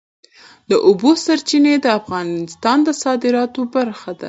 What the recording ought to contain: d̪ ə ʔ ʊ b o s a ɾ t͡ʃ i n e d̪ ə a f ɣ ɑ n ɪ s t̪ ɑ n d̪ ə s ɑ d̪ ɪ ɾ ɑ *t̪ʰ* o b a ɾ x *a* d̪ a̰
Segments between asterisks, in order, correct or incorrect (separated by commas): incorrect, correct